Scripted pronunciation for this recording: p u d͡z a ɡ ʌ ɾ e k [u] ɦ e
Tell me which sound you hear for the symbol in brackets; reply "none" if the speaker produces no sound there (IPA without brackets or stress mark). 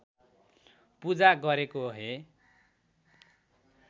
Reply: o